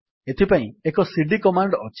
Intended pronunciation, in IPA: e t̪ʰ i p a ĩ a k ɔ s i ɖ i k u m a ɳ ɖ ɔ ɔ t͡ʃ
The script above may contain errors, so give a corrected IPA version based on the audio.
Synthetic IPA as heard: e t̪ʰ i p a ĩ e k ɔ s i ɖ i k ɔ m a ɳ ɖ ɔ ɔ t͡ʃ